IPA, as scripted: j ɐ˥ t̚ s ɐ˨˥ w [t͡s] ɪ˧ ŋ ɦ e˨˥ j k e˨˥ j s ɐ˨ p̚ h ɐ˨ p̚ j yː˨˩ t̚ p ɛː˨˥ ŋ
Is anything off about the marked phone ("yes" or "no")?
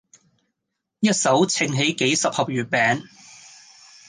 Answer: yes